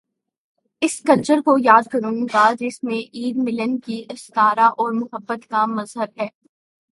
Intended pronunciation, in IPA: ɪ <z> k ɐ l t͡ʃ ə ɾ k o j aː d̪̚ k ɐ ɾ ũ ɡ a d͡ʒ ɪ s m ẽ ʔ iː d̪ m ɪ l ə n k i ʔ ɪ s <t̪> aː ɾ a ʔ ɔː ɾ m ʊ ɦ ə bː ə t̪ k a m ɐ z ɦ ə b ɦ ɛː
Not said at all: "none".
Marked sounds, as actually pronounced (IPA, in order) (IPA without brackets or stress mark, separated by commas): s, t̪